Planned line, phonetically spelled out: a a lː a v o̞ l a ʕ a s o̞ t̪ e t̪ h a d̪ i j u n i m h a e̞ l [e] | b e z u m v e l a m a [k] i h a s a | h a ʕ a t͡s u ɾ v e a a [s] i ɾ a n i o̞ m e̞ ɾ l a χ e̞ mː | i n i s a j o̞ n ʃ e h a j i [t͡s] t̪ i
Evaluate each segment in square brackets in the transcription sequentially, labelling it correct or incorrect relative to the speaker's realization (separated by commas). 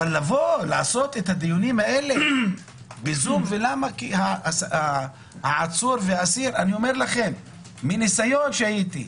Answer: correct, correct, correct, incorrect